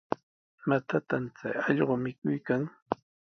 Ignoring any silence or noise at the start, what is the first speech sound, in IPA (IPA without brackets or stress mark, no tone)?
m